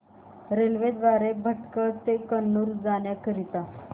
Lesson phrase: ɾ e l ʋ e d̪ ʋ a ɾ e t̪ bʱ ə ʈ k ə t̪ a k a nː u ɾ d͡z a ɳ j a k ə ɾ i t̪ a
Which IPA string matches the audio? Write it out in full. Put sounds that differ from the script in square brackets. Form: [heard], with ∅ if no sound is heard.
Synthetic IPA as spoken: ɾ e l ʋ e d̪ ʋ a ɾ e [∅] bʱ ə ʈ k ə t̪ [e] k [ə] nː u ɾ d͡z a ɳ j a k ə ɾ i t̪ a